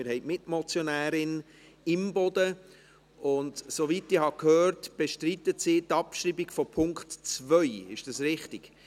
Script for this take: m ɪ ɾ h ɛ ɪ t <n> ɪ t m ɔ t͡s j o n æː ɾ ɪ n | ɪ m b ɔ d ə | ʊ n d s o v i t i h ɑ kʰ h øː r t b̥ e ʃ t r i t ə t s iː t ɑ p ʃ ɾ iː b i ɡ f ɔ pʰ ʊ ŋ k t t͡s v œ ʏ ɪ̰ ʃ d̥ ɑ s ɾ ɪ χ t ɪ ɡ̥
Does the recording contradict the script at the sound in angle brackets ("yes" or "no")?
yes